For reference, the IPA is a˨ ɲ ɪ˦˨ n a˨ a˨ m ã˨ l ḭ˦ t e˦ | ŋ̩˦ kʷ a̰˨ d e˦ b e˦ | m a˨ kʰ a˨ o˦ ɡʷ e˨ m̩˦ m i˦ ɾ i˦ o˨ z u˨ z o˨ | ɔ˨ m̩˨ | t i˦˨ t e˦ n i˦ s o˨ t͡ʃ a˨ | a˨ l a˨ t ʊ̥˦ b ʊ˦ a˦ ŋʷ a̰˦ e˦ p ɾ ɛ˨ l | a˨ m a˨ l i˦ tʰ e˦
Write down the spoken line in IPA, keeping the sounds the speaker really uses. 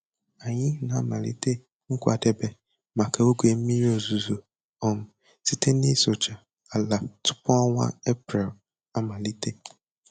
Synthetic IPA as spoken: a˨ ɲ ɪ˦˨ n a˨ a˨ m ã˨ l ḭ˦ t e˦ | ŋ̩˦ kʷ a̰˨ d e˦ b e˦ | m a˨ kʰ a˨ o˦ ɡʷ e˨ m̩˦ m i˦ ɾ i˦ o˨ z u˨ z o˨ | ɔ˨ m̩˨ | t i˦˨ t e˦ n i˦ s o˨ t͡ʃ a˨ | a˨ l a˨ t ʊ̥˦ p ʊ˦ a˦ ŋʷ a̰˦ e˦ p ɾ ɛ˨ l | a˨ m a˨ l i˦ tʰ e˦